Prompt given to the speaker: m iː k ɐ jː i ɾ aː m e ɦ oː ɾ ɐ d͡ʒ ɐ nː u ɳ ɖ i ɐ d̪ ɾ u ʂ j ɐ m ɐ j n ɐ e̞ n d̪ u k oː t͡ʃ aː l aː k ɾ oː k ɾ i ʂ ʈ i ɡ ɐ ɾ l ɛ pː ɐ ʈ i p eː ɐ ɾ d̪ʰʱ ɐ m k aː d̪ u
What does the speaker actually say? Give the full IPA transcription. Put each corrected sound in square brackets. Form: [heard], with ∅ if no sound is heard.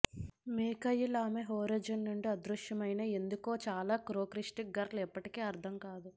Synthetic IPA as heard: m iː k ɐ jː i [l] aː m e ɦ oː ɾ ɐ d͡ʒ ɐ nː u ɳ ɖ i ɐ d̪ ɾ u ʂ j ɐ m ɐ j n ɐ e̞ n d̪ u k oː t͡ʃ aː l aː k ɾ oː k ɾ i ʂ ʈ i ɡ ɐ ɾ l ɛ pː ɐ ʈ i [k] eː ɐ ɾ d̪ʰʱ ɐ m k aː d̪ u